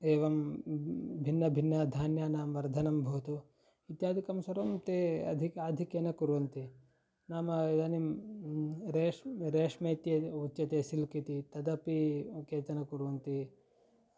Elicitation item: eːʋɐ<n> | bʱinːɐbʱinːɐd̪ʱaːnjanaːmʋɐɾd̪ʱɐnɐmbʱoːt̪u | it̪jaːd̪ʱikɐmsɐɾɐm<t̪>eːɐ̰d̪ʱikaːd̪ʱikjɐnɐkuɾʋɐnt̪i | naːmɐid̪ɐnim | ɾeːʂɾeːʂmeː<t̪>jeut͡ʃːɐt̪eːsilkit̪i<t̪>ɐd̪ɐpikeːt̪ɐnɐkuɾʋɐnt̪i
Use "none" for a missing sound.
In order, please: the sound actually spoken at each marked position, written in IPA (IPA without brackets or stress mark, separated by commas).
m, t̪, t̪, t̪